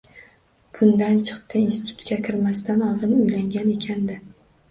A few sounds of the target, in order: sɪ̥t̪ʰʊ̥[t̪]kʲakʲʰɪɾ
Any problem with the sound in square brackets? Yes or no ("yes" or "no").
no